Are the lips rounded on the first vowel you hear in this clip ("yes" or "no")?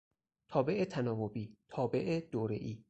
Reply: yes